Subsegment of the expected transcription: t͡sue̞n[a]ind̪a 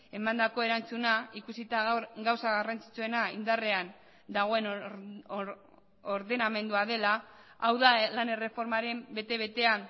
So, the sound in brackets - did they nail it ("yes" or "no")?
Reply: yes